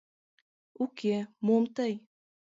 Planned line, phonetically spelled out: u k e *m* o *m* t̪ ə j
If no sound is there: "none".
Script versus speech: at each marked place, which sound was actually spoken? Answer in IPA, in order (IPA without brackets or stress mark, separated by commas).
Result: m, m